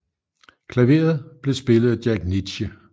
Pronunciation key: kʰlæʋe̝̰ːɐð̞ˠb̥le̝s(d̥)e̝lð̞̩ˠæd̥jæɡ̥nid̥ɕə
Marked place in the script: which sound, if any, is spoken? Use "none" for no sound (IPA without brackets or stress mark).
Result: b̥